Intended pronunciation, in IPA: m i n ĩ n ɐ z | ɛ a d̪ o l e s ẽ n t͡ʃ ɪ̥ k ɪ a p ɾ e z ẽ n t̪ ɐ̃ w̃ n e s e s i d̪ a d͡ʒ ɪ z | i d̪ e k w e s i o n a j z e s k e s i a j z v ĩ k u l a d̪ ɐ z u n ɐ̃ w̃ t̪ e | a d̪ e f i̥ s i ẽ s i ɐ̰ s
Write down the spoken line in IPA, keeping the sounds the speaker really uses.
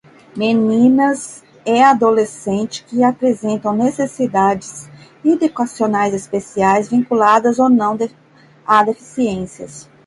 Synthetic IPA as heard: m e n ĩ n ɐ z | ɛ a d̪ o l e s ẽ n t͡ʃ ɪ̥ k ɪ a p ɾ e z ẽ n t̪ ɐ̃ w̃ n e s e s i d̪ a d͡ʒ ɪ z | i d̪ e k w a s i o n a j z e s p e s i a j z v ĩ k u l a d̪ ɐ z o n ɐ̃ w̃ d̪ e | a d̪ e f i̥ s i ẽ s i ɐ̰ s